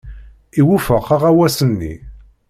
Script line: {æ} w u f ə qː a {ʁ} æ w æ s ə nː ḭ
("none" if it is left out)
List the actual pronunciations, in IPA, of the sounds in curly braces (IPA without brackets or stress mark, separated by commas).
i, ʁ